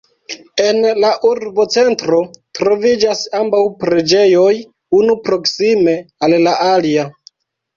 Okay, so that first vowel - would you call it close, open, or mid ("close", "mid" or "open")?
mid